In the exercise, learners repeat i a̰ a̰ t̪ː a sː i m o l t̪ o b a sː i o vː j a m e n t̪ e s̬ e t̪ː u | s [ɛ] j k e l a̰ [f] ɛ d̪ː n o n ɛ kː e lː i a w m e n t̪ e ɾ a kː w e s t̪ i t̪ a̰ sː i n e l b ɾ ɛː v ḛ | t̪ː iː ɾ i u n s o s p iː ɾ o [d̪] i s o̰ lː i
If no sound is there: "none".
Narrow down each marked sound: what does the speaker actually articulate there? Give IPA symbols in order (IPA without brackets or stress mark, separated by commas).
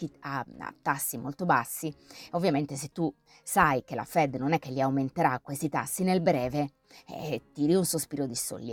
a, f, d̪